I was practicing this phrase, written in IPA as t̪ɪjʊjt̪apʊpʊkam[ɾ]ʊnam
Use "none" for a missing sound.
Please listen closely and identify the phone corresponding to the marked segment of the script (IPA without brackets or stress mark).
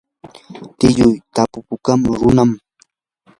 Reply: ɾ